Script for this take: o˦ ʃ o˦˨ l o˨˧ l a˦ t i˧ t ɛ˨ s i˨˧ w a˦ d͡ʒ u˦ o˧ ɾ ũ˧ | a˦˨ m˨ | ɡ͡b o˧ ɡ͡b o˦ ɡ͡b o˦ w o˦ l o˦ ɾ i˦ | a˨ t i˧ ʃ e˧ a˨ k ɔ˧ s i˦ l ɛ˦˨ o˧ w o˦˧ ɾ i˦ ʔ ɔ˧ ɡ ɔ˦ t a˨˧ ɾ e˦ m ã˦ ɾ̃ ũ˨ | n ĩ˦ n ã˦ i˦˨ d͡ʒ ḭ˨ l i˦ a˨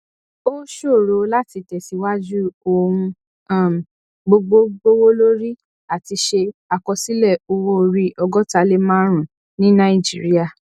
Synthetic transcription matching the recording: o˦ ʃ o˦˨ ɾ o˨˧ l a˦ t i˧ t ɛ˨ s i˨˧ w a˦ d͡ʒ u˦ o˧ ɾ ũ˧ | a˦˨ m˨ | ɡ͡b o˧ ɡ͡b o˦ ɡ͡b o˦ w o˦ l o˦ ɾ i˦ | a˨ t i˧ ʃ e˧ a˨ k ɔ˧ s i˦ l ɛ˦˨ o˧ w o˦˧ ɾ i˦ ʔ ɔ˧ ɡ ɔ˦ t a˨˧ l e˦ m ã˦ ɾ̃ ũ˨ | n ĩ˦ n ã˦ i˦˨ d͡ʒ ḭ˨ ɾ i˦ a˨